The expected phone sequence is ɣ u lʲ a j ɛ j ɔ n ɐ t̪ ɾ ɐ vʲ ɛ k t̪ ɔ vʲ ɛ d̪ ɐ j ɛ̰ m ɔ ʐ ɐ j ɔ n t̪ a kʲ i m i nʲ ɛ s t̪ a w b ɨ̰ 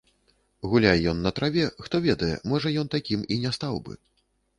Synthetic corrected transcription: ɣ u lʲ a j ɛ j ɔ nː ɐ t̪ ɾ a vʲ ɛ x t̪ ɔ vʲ ɛ d̪ ɐ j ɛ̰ m ɔ ʐ ɐ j ɔ n t̪ a kʲ i m i nʲ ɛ s t̪ a w b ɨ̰